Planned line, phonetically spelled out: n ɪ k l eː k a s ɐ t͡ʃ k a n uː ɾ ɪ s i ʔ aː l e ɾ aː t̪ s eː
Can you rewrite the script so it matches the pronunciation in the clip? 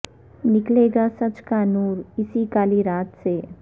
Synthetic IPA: n ɪ k l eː ɡ a s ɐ t͡ʃ k a n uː ɾ ɪ s i k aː l i ɾ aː t̪ s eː